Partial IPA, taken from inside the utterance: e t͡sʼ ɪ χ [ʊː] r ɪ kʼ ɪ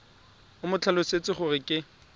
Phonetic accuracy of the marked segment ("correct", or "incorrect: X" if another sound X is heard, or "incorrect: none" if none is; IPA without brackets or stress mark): incorrect: ʊ